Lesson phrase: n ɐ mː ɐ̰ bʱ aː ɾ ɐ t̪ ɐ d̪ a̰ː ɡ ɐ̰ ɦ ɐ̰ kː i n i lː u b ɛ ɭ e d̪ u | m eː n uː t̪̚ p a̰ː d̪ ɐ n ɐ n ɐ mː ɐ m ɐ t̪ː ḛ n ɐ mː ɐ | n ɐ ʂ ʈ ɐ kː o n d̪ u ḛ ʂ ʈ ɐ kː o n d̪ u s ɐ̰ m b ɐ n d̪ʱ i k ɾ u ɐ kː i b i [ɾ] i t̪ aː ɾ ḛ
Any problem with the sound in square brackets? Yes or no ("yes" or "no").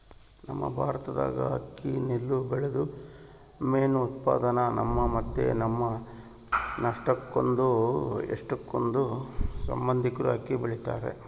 yes